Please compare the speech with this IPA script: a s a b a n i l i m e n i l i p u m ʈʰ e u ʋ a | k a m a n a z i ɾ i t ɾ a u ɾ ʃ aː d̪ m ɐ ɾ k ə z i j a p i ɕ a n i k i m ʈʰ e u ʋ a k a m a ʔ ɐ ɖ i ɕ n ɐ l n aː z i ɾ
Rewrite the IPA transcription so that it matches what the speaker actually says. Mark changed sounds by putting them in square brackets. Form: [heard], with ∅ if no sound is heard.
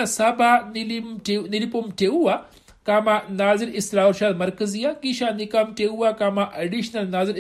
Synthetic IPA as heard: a s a b a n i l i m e n i l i p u m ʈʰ e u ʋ a | k a m a n a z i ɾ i [s] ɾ a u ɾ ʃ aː d̪ m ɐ ɾ k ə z i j a [k] i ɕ a n i k [a] m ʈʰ e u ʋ a k a m a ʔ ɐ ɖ i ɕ n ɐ l n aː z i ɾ